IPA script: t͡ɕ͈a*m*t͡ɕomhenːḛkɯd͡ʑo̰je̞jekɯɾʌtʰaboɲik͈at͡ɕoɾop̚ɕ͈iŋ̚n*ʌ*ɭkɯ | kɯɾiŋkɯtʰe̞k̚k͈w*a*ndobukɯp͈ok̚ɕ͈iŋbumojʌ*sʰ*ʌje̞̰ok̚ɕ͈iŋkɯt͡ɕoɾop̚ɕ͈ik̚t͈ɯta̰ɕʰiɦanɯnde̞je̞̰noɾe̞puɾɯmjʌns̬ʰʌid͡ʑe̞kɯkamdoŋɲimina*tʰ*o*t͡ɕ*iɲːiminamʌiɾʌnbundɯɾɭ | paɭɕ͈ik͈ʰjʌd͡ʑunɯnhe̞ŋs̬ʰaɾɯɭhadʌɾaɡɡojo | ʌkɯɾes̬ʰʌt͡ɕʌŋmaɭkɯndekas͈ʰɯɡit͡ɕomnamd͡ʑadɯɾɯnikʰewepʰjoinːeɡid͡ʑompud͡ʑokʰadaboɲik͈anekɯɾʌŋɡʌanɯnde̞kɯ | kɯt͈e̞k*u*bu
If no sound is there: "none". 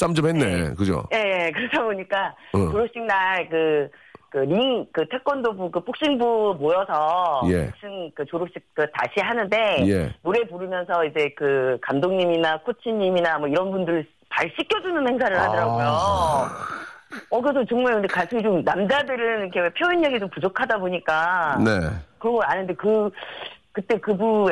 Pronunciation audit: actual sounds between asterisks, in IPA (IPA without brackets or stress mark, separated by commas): m, a, ʌ, sʰ, kʰ, t͡ɕʰ, ɯ